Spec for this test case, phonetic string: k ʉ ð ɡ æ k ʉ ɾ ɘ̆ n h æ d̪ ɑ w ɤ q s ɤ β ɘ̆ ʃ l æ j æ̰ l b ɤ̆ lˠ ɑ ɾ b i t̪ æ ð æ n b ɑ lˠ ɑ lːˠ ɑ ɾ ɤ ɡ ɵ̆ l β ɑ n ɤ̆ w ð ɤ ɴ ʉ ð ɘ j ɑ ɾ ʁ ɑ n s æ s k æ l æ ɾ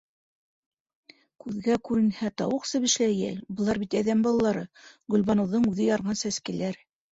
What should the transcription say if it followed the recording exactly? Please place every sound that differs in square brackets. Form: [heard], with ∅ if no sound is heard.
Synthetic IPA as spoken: k ʉ ð ɡ æ k ʉ ɾ ɘ̆ n h æ [t̪] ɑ w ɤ q s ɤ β ɘ̆ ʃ l æ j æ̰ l b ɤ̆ lˠ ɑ ɾ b i t̪ æ ð æ [m] b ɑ lˠ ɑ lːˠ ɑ ɾ ɤ ɡ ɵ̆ l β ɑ n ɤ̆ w ð ɤ ɴ ʉ ð ɘ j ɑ ɾ ʁ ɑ n s æ s k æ l æ ɾ

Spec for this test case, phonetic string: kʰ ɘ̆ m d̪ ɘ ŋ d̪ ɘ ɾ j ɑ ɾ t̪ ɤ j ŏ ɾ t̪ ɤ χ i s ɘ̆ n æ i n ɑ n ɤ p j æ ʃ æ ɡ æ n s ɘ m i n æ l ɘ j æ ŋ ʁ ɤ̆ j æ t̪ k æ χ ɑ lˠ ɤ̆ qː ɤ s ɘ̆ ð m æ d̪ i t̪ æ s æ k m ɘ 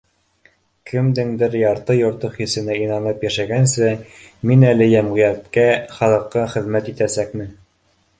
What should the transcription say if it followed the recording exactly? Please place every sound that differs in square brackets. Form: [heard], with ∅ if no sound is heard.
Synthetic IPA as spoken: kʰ ɘ̆ m d̪ ɘ ŋ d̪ ɘ ɾ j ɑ ɾ t̪ ɤ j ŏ ɾ t̪ ɤ χ i s ɘ̆ n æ i n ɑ n ɤ p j æ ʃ æ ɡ æ n s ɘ m i n æ l ɘ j æ [m] ʁ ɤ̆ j æ t̪ k æ χ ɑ lˠ ɤ̆ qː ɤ [χ] ɘ̆ ð m æ [t̪] i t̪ æ s æ k m ɘ

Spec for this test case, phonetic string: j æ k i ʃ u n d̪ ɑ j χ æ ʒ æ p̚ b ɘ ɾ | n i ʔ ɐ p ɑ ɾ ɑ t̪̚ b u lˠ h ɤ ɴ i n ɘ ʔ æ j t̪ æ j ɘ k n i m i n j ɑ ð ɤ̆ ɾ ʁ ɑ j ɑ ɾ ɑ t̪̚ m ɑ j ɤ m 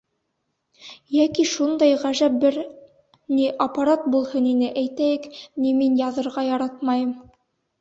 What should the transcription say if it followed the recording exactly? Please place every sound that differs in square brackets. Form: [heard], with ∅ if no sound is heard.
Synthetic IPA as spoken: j æ k i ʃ u n d̪ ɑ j [ʁ] æ ʒ æ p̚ b ɘ ɾ | n i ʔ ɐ p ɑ ɾ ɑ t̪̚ b u lˠ h ɤ [n] i n ɘ ʔ æ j t̪ æ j ɘ k n i m i n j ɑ ð ɤ̆ ɾ ʁ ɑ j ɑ ɾ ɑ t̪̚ m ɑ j ɤ m

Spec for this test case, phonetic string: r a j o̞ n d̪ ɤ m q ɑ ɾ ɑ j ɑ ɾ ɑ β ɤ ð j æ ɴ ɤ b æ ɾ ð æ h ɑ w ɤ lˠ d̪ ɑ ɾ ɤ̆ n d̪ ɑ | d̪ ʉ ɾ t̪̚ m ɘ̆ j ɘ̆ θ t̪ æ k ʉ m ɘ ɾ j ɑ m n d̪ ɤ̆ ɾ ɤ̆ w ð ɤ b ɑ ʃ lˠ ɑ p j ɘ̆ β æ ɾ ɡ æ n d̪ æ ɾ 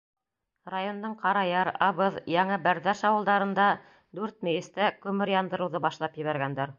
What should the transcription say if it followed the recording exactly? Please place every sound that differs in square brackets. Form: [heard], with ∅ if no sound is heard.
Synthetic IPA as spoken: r a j o̞ n d̪ ɤ [ɴ] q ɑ ɾ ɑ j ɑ ɾ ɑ β ɤ ð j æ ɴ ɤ b æ ɾ ð æ [ʃ] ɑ w ɤ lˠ d̪ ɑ ɾ ɤ̆ n d̪ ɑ | d̪ ʉ ɾ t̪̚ m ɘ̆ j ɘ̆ [s] t̪ æ k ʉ m ɘ ɾ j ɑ [∅] n d̪ ɤ̆ ɾ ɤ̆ w ð ɤ b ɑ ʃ lˠ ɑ p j ɘ̆ β æ ɾ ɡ æ n d̪ æ ɾ

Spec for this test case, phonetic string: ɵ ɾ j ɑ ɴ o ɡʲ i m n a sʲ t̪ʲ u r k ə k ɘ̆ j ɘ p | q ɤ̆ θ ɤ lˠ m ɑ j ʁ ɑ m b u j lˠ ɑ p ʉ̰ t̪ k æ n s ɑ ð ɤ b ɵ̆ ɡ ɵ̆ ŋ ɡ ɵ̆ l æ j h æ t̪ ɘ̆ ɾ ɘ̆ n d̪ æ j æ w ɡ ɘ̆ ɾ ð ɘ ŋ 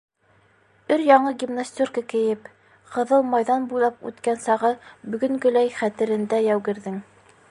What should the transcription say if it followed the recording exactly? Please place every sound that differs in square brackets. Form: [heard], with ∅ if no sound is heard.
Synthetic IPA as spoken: ɵ ɾ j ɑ ɴ [ɤ] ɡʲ i m n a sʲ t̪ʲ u r k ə k ɘ̆ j ɘ p | q ɤ̆ [ð] ɤ lˠ m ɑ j [ð] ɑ [n] b u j lˠ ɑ p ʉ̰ t̪ k æ n s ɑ [ʁ] ɤ b ɵ̆ ɡ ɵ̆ ŋ ɡ ɵ̆ l æ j [χ] æ t̪ ɘ̆ ɾ ɘ̆ n d̪ æ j æ w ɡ ɘ̆ ɾ ð ɘ ŋ

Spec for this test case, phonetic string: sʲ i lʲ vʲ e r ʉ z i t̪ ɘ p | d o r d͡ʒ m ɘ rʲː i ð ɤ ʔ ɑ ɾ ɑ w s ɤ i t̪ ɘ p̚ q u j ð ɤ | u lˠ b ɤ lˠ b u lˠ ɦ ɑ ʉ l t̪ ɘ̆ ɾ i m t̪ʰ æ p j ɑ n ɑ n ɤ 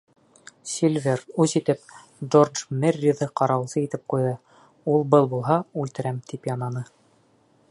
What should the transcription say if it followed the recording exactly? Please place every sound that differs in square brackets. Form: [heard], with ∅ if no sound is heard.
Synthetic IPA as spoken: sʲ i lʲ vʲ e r ʉ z i t̪ ɘ p | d o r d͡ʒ m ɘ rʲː i ð ɤ [q] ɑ ɾ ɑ w s ɤ i t̪ ɘ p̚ q u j ð ɤ | u lˠ b ɤ lˠ b u lˠ ɦ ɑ ʉ l t̪ ɘ̆ ɾ [æ] m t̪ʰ [i] p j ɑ n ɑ n ɤ

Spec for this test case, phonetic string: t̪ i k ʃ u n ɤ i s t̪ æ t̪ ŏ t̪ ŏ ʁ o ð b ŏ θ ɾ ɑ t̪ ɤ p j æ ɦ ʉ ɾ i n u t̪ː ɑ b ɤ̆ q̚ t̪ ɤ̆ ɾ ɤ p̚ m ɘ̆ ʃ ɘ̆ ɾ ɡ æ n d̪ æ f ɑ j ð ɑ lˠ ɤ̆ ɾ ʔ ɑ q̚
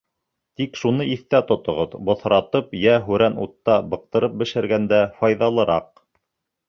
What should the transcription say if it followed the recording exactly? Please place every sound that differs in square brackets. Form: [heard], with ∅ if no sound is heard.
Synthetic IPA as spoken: t̪ i k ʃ u n ɤ i [θ] t̪ æ t̪ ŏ t̪ ŏ ʁ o ð b ŏ θ ɾ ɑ t̪ ɤ p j æ ɦ ʉ ɾ [æ] n u t̪ː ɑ b ɤ̆ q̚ t̪ ɤ̆ ɾ ɤ p̚ [b] ɘ̆ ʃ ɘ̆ ɾ ɡ æ n d̪ æ f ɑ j ð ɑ lˠ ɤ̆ ɾ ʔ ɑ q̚

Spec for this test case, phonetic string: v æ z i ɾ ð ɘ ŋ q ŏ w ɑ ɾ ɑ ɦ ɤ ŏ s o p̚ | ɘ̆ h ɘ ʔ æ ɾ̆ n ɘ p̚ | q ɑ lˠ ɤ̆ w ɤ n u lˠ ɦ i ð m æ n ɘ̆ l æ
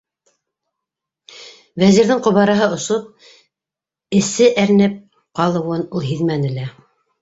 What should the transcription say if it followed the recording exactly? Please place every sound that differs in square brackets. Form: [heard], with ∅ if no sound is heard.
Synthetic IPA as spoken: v æ z i ɾ ð ɘ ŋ q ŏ [β] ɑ ɾ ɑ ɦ ɤ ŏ s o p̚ | ɘ̆ [s] ɘ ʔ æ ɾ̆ n ɘ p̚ | q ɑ lˠ ɤ̆ w ɤ n u lˠ ɦ i ð m æ n ɘ̆ l æ

